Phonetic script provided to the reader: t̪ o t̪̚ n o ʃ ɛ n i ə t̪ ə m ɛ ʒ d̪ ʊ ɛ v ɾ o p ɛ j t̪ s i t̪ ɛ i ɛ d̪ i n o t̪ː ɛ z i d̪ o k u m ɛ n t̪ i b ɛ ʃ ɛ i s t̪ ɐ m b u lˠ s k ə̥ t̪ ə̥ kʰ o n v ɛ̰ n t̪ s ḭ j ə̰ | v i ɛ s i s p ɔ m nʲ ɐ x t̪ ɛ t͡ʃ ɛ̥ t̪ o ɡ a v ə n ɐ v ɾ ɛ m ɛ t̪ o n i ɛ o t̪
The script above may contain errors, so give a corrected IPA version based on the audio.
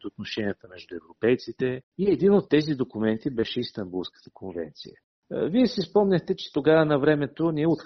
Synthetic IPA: t̪ o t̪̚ n o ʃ ɛ n i ə t̪ ə m ɛ ʒ d̪ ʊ ɛ v ɾ o p ɛ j t̪ s i t̪ ɛ i ɛ d̪ i n o t̪ː ɛ z i d̪ o k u m ɛ n t̪ i b ɛ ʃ ɛ i s t̪ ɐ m b u lˠ s k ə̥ t̪ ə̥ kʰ o n v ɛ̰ n t̪ s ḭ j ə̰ | v i ɛ s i s p ɔ m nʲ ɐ x t̪ ɛ t͡ʃ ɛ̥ t̪ o ɡ a v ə n ɐ v ɾ ɛ m ɛ t̪ o n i ɛ o t̪